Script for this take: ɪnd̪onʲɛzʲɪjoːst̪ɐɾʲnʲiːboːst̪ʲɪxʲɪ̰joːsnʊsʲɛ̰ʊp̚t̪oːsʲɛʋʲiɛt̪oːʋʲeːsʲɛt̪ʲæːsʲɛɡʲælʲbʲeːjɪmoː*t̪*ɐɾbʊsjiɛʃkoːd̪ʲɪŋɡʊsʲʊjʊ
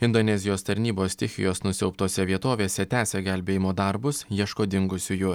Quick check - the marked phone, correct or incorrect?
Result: incorrect